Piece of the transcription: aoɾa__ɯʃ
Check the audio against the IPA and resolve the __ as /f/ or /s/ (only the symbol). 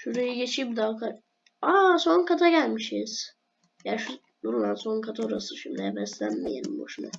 s